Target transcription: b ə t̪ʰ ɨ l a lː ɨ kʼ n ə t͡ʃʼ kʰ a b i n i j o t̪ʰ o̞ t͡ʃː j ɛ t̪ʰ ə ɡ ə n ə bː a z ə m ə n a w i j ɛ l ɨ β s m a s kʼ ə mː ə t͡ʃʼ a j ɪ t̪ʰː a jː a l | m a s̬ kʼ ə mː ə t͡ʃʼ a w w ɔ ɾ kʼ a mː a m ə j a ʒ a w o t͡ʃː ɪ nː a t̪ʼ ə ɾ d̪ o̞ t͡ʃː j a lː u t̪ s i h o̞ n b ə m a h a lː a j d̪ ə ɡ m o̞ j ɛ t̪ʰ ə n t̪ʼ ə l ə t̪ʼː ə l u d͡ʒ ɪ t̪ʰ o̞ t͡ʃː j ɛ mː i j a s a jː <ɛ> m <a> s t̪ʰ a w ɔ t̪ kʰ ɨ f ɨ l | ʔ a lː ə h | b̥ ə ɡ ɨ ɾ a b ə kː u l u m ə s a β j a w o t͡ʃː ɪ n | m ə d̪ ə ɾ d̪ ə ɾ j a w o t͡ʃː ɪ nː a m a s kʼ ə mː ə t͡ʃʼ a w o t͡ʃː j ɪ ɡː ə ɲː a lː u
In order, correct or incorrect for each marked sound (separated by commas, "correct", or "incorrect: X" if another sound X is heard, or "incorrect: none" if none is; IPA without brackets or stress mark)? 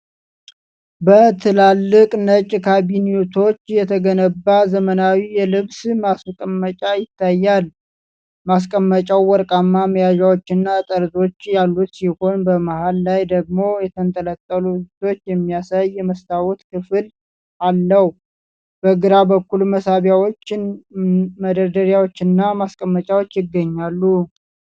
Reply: correct, incorrect: ə